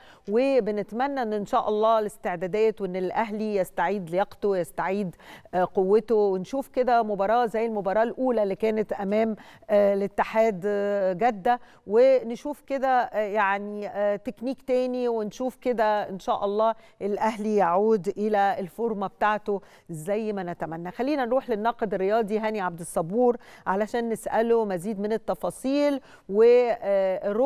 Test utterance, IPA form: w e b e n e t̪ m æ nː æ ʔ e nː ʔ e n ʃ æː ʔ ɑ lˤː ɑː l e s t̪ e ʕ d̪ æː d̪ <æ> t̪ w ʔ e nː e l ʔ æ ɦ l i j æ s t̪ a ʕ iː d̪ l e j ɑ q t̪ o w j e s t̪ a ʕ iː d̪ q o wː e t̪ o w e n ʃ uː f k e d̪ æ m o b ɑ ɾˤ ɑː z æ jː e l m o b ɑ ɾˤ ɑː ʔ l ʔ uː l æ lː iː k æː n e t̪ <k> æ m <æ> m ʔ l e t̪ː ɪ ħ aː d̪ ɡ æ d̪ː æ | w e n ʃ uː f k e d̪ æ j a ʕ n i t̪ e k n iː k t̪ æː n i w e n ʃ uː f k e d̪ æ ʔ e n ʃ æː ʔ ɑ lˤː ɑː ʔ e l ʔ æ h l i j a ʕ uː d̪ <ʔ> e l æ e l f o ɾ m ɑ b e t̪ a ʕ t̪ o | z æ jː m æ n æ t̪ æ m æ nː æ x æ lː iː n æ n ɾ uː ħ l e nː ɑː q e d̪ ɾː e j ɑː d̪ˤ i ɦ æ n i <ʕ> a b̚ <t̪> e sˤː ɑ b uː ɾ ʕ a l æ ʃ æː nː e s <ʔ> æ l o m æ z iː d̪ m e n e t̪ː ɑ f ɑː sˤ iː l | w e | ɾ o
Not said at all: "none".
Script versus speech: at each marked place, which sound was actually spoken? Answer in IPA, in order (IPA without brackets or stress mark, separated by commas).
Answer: æː, ʔ, æː, ʔ, ʕ, d̪, ʔ